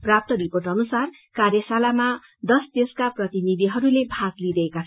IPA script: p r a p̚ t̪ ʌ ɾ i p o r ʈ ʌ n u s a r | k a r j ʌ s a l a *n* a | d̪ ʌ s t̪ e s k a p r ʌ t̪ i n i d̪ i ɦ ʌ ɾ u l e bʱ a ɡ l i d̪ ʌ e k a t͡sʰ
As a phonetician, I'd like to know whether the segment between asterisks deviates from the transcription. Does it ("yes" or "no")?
yes